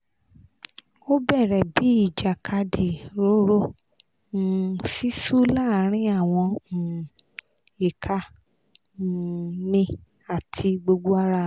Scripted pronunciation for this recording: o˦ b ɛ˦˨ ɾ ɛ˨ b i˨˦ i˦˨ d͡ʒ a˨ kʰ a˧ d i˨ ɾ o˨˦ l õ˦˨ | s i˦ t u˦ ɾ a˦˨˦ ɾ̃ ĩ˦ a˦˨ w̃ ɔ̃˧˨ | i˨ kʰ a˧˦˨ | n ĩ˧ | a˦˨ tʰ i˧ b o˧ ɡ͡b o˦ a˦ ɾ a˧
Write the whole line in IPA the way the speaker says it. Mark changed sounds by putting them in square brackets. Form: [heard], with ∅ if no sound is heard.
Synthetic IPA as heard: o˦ b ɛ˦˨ ɾ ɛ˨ b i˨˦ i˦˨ d͡ʒ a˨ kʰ a˧ d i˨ ɾ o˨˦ [ɾ] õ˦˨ | s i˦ [s] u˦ [l] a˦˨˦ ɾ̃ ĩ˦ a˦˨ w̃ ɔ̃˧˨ | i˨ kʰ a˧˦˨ | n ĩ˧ | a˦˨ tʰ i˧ [ɡ͡b] o˧ ɡ͡b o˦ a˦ ɾ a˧